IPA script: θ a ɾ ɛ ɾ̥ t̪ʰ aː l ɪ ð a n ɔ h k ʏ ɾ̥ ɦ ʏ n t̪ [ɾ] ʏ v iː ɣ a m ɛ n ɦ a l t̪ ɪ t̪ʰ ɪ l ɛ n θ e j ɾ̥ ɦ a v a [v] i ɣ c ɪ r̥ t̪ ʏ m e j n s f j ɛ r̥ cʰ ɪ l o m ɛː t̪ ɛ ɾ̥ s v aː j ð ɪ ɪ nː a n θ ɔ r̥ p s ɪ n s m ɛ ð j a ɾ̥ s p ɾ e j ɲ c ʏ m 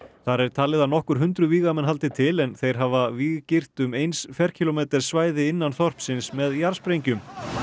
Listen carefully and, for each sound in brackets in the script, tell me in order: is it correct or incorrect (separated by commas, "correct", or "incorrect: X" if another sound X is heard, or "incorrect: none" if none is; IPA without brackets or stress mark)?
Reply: correct, correct